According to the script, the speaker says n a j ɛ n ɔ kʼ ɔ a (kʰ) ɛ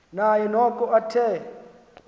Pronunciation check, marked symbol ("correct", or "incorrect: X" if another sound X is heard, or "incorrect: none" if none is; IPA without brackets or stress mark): incorrect: tʰ